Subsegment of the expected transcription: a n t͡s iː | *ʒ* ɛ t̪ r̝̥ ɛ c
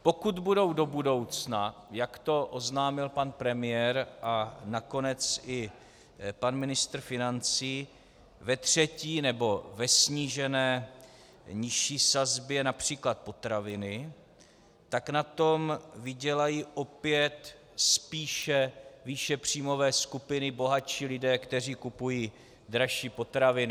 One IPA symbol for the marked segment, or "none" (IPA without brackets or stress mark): v